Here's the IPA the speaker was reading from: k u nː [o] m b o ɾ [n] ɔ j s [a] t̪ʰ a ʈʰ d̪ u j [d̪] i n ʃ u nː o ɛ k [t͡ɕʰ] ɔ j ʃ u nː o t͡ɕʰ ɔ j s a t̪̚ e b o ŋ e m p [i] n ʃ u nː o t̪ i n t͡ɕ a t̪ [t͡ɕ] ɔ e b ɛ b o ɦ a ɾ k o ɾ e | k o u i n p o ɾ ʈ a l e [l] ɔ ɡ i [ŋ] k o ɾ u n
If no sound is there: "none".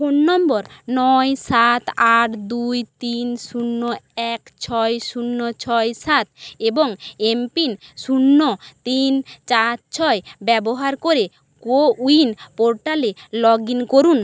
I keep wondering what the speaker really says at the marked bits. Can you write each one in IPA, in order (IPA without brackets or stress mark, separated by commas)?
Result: ɔ, n, a, t̪, t͡ɕʰ, i, t͡ɕʰ, l, n